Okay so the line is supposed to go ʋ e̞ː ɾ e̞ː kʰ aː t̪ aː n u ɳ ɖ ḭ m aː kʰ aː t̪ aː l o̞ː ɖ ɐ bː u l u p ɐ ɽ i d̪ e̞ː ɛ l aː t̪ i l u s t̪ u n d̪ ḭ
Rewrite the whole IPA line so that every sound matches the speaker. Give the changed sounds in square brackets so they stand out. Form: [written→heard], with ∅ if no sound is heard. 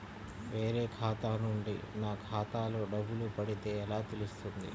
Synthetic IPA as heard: ʋ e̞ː ɾ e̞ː kʰ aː t̪ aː n u ɳ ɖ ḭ [m→n] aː kʰ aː t̪ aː l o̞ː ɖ ɐ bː u l u p ɐ ɽ i [d̪→t̪] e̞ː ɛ l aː t̪ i l u s t̪ u n d̪ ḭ